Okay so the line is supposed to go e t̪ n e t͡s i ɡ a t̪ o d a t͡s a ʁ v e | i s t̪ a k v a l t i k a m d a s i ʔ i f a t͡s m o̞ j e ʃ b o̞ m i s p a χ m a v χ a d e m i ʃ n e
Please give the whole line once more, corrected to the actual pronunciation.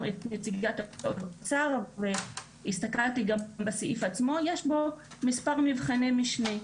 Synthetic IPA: e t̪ n e t͡s i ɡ a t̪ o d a t͡s a ʁ v e | i s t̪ a k ʁ a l t i ɡ a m b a s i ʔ i f a t͡s m o̞ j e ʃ b o̞ m i s p a ʁ m i v χ a n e m i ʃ n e